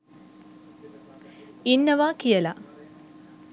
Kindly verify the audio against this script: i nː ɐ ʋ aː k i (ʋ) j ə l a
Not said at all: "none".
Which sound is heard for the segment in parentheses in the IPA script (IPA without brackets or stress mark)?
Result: none